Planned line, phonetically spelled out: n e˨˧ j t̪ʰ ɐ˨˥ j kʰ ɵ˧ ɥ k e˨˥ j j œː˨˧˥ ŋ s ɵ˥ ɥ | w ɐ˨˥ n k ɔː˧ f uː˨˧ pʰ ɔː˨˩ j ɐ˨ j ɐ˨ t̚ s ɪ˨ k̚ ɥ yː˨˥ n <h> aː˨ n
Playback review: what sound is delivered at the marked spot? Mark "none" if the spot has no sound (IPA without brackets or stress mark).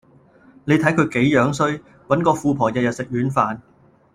f